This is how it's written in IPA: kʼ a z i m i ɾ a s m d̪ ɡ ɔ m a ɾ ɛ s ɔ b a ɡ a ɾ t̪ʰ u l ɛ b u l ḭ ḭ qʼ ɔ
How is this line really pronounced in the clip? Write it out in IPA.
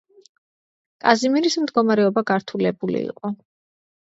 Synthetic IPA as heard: kʼ a z i m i ɾ i s m d̪ ɡ ɔ m a ɾ ɛ ɔ b a ɡ a ɾ t̪ʰ u l ɛ b u l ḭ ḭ qʼ ɔ